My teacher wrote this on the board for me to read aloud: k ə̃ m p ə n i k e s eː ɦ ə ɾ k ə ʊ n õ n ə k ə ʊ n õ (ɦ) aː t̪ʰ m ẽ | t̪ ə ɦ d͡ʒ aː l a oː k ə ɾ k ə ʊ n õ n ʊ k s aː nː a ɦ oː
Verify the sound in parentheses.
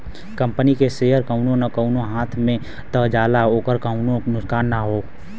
correct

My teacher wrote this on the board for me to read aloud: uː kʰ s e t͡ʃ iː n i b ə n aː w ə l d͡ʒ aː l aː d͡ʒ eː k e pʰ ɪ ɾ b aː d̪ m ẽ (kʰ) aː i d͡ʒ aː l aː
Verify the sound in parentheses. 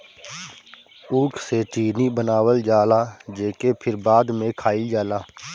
correct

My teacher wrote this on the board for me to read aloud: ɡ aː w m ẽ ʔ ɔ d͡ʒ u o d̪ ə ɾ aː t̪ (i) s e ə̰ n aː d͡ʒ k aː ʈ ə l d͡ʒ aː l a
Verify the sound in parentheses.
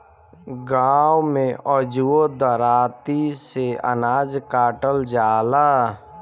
correct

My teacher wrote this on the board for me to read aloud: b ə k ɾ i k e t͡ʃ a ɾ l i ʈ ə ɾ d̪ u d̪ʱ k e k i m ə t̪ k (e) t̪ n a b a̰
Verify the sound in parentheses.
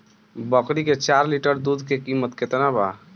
correct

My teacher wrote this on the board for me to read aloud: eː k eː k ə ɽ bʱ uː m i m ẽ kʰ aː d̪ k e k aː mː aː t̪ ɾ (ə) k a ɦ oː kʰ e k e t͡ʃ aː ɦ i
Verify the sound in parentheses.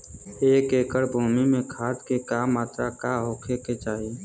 incorrect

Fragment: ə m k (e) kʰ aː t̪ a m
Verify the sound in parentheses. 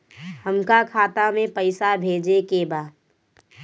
incorrect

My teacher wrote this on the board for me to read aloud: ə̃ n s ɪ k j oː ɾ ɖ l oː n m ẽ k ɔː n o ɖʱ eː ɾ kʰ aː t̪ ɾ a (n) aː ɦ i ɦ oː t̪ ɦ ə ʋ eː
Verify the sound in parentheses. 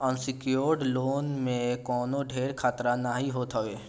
correct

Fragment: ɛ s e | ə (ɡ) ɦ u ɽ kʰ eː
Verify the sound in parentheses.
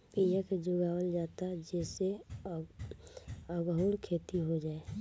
correct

